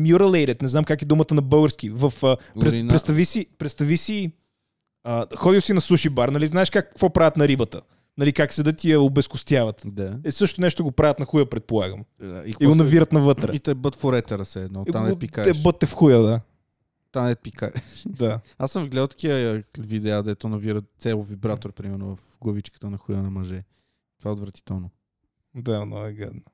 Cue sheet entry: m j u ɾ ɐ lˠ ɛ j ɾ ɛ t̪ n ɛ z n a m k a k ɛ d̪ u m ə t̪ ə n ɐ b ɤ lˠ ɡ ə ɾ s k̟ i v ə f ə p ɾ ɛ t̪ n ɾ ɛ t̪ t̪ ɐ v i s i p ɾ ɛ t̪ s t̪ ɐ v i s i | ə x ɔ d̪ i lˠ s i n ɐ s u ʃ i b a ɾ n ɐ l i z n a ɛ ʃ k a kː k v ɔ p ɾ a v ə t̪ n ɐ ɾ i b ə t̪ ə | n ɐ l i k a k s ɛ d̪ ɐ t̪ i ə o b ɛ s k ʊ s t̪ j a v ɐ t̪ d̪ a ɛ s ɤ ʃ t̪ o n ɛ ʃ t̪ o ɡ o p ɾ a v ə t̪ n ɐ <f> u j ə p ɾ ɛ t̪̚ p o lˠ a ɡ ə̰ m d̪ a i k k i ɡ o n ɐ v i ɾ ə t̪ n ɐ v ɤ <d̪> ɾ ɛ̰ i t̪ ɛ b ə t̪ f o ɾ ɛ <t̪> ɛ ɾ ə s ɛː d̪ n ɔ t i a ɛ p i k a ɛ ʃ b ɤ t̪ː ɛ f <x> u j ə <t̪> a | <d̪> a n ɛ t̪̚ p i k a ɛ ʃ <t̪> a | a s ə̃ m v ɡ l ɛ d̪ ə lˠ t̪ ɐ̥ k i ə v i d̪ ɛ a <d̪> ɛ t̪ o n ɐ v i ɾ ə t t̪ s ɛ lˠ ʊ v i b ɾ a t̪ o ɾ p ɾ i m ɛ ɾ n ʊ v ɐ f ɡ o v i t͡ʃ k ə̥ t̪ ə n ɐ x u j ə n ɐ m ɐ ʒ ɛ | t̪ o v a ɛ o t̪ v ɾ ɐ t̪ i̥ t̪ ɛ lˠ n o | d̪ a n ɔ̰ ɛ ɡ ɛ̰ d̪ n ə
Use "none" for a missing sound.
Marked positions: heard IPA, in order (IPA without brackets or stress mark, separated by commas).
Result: x, t̪, t̪, x, d̪, t̪, d̪, d̪